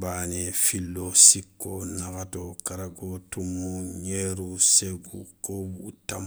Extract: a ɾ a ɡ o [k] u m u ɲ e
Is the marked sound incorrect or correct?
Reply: incorrect